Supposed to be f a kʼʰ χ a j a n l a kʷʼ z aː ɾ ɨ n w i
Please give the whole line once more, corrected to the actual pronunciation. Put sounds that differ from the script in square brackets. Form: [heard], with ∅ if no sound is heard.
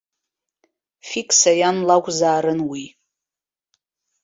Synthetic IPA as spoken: f [i] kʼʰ [s] a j a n l a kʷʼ z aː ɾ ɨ n w i